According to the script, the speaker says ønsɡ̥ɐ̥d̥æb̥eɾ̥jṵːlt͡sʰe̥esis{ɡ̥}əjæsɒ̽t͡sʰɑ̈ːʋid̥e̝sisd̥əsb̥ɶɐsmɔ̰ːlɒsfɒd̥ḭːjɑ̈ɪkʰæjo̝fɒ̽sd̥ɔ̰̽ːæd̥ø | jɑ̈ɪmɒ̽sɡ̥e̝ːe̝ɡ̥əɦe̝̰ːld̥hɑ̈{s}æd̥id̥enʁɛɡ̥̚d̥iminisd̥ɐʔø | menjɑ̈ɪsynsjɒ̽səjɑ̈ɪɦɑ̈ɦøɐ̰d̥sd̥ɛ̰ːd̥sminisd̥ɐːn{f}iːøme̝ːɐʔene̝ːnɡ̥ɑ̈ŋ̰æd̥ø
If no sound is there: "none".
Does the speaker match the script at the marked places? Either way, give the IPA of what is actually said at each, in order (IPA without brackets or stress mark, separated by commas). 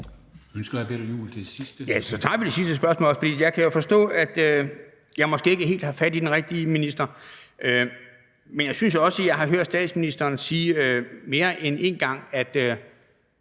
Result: d̥, f, s